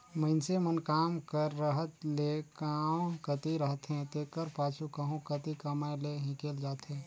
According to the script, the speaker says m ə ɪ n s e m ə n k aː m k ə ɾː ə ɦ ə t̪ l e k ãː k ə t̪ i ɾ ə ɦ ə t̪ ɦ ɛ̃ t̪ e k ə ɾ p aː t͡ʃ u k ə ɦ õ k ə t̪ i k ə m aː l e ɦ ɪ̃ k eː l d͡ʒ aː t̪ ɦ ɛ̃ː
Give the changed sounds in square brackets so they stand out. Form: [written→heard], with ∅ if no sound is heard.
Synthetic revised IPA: m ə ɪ n s e m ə n k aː m k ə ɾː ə ɦ ə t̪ l e k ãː k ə t̪ i ɾ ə ɦ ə t̪ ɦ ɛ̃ t̪ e k ə ɾ p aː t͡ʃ u k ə ɦ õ k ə t̪ i k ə m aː l e ɦ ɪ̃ k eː l d͡ʒ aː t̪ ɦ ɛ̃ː

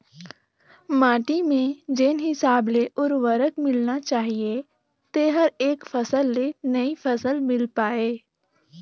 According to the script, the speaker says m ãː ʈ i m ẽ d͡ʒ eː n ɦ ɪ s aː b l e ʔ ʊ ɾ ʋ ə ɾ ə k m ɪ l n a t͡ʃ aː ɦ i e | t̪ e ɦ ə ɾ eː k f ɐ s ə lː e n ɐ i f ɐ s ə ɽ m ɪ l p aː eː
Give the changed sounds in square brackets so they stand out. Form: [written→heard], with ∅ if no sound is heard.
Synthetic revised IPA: m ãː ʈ i m ẽ d͡ʒ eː n ɦ ɪ s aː b l e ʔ ʊ ɾ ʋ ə ɾ ə k m ɪ l n a t͡ʃ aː ɦ i e | t̪ e ɦ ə ɾ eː k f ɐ s ə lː e n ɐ i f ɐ s ə [ɽ→l] m ɪ l p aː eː

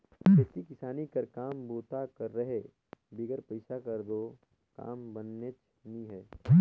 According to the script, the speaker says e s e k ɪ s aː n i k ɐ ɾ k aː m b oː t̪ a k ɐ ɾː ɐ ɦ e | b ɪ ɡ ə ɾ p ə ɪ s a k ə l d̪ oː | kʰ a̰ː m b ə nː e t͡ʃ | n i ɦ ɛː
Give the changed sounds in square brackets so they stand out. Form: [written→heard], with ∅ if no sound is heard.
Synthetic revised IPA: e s [e→i] k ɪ s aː n i k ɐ ɾ k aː m b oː t̪ a k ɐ ɾː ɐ ɦ e | b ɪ ɡ ə ɾ p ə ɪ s a k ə [l→ɾ] d̪ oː | [kʰ→k] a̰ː m b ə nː e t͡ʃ | n i ɦ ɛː

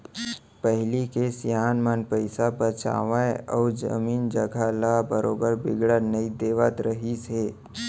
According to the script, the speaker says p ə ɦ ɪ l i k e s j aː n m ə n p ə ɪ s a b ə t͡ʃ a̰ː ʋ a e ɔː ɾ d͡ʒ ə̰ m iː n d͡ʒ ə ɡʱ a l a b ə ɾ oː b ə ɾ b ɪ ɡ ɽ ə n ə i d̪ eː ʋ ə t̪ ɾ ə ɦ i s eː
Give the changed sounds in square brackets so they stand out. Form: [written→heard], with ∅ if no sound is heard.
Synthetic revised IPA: p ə ɦ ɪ l i k e s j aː n m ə n p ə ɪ s a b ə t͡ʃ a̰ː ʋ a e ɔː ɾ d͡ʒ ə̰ m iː n d͡ʒ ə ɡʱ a l a b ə ɾ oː b ə ɾ b ɪ ɡ ɽ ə n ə i d̪ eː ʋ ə t̪ ɾ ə ɦ i s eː

